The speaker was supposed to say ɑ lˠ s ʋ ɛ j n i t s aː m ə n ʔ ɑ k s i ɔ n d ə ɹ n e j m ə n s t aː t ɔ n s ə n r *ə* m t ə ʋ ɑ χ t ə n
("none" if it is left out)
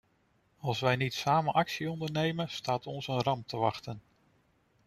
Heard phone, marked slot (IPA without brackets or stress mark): ɑ